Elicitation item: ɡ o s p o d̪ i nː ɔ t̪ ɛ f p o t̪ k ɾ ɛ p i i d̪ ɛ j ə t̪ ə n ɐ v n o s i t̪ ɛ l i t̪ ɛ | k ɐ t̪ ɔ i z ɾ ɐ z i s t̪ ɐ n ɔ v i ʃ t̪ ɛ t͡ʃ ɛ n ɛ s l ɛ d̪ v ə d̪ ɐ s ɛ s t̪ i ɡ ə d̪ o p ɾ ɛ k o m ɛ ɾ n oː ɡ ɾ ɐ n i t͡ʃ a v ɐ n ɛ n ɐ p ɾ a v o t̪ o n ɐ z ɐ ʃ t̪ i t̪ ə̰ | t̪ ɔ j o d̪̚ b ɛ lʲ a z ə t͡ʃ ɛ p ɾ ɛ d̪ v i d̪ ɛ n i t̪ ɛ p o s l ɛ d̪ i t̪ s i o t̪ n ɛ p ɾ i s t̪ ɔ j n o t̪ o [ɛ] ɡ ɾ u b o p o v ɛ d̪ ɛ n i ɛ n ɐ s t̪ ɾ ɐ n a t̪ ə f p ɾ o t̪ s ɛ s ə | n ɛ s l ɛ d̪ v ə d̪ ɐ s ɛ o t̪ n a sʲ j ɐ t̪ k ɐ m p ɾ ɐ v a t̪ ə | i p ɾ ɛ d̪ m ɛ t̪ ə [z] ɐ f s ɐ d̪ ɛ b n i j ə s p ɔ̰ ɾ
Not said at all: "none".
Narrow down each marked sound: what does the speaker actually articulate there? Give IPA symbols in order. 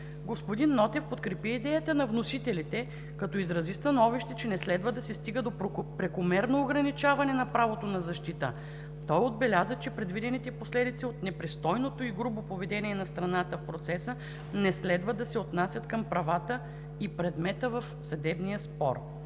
i, v

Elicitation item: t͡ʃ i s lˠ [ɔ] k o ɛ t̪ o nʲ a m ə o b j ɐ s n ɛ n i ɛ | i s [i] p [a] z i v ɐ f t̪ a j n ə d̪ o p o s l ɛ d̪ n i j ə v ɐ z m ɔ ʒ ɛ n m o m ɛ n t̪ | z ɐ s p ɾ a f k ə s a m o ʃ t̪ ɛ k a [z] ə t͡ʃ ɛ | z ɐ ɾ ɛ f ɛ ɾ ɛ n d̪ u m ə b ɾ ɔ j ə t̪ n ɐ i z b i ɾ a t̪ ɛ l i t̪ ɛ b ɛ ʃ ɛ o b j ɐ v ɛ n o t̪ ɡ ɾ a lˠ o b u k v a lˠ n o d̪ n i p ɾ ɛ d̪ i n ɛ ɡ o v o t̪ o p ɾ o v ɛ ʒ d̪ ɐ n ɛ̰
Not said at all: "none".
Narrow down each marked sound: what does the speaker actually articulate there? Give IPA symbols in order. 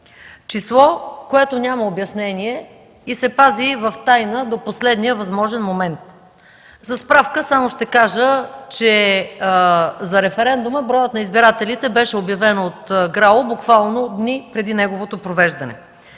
ɔ, ɛ, a, ʒ

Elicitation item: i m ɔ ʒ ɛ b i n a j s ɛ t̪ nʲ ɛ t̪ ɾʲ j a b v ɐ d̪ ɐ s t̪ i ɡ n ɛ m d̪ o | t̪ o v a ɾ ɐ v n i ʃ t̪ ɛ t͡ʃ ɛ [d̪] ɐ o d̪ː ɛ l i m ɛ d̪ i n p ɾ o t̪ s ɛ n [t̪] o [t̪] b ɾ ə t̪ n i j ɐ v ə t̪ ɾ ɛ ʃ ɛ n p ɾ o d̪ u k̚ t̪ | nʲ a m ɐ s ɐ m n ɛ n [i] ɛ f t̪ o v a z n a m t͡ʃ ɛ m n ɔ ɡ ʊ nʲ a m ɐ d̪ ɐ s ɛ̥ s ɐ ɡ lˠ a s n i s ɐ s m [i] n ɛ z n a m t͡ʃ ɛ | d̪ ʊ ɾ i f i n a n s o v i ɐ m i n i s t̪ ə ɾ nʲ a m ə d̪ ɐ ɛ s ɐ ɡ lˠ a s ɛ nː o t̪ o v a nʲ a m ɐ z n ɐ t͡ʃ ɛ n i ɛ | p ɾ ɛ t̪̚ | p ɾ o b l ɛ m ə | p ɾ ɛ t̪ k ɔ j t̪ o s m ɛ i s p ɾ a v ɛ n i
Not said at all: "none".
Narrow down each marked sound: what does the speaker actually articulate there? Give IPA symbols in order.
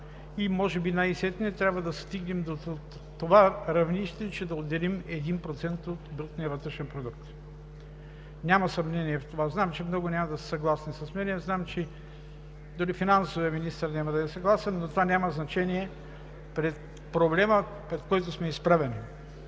d̪, t̪, t̪, i, ɛ

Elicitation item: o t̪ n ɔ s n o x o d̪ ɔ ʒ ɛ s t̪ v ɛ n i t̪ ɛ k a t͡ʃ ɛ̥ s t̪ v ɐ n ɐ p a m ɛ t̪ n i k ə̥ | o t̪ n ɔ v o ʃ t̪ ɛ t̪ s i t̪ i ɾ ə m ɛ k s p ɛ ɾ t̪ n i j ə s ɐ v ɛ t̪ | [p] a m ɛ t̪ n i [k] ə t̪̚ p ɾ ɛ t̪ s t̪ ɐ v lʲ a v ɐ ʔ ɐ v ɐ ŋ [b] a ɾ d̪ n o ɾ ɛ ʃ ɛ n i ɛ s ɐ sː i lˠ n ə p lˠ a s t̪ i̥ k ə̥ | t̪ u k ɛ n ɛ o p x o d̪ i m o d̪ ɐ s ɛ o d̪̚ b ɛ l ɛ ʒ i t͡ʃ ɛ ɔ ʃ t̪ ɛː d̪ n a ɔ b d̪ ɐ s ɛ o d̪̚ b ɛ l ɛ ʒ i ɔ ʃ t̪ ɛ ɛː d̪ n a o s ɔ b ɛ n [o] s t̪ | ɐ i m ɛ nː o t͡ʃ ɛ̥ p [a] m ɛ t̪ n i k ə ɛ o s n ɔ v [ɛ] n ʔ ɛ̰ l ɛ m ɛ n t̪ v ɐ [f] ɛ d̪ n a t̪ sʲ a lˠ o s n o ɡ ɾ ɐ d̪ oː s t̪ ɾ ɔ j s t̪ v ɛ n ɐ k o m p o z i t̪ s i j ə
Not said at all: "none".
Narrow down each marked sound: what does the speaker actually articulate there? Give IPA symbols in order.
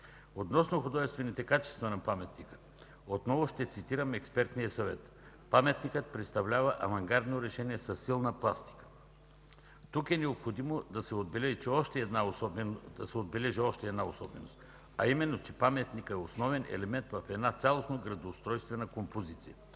p, k, ɡ, o, a, ɛ, f

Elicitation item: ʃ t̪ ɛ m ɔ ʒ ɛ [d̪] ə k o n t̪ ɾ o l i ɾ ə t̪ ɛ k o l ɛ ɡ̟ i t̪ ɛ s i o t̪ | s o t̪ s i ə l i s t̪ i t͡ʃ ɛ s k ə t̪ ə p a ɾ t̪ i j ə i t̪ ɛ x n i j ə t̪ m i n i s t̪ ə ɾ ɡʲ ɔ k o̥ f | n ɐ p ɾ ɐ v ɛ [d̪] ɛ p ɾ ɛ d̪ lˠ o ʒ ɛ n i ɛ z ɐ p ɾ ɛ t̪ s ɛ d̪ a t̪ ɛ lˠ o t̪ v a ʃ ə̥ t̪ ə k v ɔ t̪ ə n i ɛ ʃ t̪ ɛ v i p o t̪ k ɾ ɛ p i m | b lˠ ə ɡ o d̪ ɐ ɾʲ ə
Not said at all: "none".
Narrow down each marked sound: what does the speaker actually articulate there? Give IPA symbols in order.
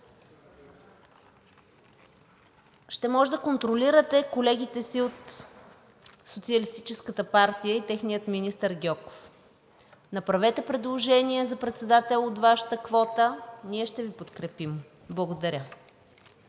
d̪, t̪

